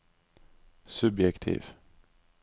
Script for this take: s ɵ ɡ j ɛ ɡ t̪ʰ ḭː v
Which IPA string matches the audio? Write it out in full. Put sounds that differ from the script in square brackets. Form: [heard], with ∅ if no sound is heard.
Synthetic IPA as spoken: s ɵ [b] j ɛ [k] t̪ʰ ḭː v